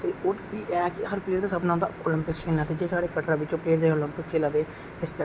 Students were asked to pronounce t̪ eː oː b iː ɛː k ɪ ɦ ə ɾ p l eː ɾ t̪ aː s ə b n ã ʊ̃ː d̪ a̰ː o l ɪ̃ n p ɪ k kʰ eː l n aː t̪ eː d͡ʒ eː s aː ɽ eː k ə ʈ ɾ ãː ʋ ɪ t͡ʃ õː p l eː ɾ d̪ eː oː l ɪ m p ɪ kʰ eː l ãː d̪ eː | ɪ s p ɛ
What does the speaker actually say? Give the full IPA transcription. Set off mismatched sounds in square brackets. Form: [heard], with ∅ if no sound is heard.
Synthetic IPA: t̪ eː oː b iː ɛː k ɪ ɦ ə ɾ p l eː ɾ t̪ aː s ə b n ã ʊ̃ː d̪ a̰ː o l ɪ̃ [m] p ɪ k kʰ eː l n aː t̪ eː d͡ʒ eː s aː ɽ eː k ə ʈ ɾ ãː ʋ ɪ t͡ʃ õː p l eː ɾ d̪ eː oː l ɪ m p ɪ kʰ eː l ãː d̪ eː | ɪ s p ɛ